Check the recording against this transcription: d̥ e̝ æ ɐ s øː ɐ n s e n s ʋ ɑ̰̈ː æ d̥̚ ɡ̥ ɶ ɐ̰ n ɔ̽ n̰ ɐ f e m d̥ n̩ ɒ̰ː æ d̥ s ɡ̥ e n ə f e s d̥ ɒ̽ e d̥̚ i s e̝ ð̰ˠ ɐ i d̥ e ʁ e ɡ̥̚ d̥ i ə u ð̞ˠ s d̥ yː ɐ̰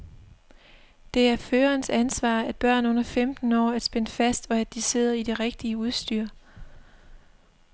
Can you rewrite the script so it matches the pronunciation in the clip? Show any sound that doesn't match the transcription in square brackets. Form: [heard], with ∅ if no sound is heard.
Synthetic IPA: d̥ e̝ æ ɐ [f] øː ɐ n s [æ] n s ʋ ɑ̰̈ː æ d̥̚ [b̥] ɶ ɐ̰ n ɔ̽ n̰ ɐ f e m d̥ n̩ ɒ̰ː æ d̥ s [b̥] e n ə f [æ] s d̥ ɒ̽ [æ] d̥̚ i s e̝ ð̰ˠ ɐ i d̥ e ʁ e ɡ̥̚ d̥ i ə u ð̞ˠ s d̥ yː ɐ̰

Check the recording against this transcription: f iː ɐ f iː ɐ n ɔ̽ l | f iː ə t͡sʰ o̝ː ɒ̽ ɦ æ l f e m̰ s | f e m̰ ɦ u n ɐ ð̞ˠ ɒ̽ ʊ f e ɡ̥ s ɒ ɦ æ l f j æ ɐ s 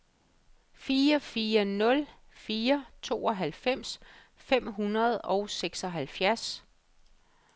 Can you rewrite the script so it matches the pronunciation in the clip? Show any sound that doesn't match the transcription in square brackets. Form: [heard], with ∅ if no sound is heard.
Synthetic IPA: f iː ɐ f iː ɐ n ɔ̽ l | f iː [ɐ] t͡sʰ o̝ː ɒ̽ ɦ æ l f e m̰ s | f e m̰ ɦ u n ɐ ð̞ˠ ɒ̽ ʊ [s] e ɡ̥ s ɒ ɦ æ l f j æ ɐ s

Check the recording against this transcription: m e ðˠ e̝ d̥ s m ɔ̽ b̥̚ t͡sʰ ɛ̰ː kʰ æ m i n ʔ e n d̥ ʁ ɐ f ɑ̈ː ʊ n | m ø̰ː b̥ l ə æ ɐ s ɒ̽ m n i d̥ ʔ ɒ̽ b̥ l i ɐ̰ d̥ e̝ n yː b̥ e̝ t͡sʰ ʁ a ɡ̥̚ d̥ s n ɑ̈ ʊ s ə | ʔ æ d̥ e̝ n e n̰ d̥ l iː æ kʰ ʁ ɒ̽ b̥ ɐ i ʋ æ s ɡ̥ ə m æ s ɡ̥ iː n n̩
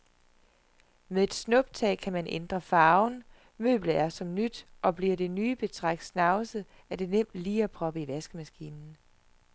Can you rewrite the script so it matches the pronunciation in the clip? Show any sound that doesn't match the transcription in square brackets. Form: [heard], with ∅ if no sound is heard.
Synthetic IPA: m e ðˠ e̝ d̥ s [n] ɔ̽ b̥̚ t͡sʰ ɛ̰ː kʰ æ m [æ] n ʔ e n d̥ ʁ ɐ f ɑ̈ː ʊ n | m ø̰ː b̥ l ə æ ɐ s ɒ̽ m n [y] d̥ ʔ ɒ̽ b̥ l i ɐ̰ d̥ e̝ n yː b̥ e̝ t͡sʰ ʁ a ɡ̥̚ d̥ s n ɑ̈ ʊ s ə | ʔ æ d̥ e̝ n e [m̰] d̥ l iː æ [pʰ] ʁ ɒ̽ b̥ [ə] i ʋ æ s ɡ̥ ə m æ s ɡ̥ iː n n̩

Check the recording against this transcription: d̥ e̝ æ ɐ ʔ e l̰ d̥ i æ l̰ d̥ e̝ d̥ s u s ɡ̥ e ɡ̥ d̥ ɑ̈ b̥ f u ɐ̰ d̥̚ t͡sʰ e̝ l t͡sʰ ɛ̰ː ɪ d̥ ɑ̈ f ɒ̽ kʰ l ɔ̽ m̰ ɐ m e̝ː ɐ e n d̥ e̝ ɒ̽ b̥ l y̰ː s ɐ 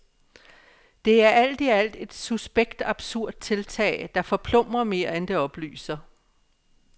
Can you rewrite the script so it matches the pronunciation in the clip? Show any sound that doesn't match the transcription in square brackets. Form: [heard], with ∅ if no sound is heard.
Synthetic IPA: d̥ e̝ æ ɐ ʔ [æ] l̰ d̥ i æ l̰ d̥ e̝ d̥ s u s [b̥] e ɡ̥ d̥ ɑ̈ b̥ [s] u ɐ̰ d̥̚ t͡sʰ e̝ l t͡sʰ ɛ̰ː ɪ d̥ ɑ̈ f ɒ̽ [pʰ] l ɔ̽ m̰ ɐ m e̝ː ɐ e n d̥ e̝ ɒ̽ b̥ l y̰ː s ɐ

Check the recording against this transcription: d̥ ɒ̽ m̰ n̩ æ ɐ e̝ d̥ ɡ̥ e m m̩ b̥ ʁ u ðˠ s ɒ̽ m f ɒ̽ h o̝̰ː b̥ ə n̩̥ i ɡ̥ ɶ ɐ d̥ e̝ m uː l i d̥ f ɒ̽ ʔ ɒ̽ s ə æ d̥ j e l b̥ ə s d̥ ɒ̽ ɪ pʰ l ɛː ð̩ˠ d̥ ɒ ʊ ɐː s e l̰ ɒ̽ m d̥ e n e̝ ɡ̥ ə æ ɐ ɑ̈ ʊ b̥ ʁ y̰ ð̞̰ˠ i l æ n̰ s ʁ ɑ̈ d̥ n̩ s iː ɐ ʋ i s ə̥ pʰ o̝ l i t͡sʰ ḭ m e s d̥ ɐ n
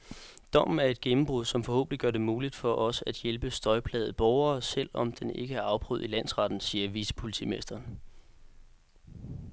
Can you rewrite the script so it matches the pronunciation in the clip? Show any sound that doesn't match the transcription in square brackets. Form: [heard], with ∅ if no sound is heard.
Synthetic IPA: d̥ ɒ̽ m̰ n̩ æ ɐ e̝ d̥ ɡ̥ e m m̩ b̥ ʁ u ðˠ s ɒ̽ m f ɒ̽ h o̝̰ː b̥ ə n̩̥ i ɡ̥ ɶ ɐ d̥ e̝ m uː l i d̥ f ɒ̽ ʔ ɒ̽ s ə æ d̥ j e l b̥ ə s d̥ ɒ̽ ɪ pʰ l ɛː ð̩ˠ [b̥] ɒ ʊ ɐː s e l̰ ɒ̽ m d̥ e n e̝ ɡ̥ ə æ ɐ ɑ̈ ʊ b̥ ʁ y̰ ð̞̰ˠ i l æ n̰ s ʁ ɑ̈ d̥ n̩ s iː ɐ ʋ i s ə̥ pʰ o̝ l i t͡sʰ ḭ m e s d̥ ɐ n

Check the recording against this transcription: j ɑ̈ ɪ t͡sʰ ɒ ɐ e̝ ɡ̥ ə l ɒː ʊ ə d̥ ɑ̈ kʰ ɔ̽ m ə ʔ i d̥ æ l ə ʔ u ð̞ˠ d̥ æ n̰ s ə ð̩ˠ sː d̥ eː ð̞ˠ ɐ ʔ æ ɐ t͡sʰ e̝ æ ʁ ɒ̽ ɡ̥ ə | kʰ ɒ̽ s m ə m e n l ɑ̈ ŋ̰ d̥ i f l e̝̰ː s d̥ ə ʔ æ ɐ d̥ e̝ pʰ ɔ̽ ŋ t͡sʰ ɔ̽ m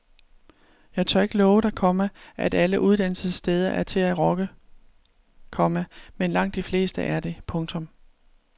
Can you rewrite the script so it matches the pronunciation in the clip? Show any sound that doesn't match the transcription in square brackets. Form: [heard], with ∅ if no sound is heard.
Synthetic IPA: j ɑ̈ ɪ t͡sʰ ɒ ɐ e̝ ɡ̥ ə l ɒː ʊ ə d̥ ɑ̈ kʰ [ɒ̽] m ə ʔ [æ] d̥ æ l ə ʔ u ð̞ˠ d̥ æ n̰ s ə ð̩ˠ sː d̥ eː ð̞ˠ ɐ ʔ æ ɐ t͡sʰ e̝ æ ʁ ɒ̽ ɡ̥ ə | kʰ ɒ̽ [∅] m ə m e n l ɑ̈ ŋ̰ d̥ i f l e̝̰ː s d̥ ə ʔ æ ɐ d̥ e̝ pʰ ɔ̽ ŋ t͡sʰ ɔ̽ m

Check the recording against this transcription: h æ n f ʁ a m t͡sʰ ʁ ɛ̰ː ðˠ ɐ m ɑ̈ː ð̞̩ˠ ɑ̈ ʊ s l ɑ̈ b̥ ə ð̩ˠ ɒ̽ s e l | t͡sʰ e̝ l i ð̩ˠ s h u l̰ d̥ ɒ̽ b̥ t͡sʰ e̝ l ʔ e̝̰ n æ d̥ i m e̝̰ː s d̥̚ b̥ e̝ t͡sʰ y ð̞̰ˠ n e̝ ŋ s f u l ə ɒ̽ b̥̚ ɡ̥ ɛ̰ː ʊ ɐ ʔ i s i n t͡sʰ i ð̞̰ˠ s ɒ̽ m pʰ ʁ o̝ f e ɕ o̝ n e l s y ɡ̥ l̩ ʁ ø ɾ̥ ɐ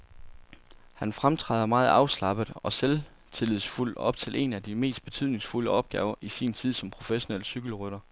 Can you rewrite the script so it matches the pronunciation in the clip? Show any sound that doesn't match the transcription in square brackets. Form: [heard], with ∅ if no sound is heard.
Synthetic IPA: h æ n f ʁ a m t͡sʰ ʁ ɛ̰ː ðˠ ɐ m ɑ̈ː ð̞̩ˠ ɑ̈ ʊ s l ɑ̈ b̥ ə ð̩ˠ ɒ̽ s e l | t͡sʰ e̝ l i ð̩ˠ s [f] u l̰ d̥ ɒ̽ b̥ t͡sʰ e̝ l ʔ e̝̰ n æ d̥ i m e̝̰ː s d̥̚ b̥ e̝ t͡sʰ y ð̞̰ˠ n e̝ ŋ s f u l ə ɒ̽ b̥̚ ɡ̥ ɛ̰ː ʊ ɐ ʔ i s i n t͡sʰ i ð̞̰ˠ s ɒ̽ m pʰ ʁ o̝ f e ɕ o̝ n e l s y ɡ̥ l̩ ʁ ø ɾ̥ ɐ

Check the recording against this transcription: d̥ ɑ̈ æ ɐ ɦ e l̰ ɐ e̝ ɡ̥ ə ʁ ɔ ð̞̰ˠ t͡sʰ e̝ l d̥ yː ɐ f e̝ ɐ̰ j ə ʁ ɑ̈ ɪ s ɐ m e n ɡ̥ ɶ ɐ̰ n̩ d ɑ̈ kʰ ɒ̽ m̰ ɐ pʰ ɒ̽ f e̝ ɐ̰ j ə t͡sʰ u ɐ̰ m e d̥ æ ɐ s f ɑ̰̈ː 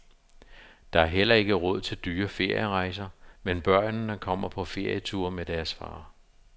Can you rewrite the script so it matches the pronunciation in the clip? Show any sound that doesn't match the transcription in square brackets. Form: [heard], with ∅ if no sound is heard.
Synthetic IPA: d̥ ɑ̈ æ ɐ ɦ e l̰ ɐ e̝ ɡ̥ ə ʁ ɔ ð̞̰ˠ t͡sʰ e̝ l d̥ yː ɐ f e̝ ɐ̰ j ə ʁ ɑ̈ ɪ s ɐ m e n [b̥] ɶ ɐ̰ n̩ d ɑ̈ kʰ ɒ̽ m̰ ɐ pʰ ɒ̽ f e̝ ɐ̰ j ə t͡sʰ u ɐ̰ m e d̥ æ ɐ s f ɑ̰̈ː

